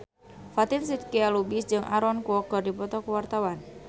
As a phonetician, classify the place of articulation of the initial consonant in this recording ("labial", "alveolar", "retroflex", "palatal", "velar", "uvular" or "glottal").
labial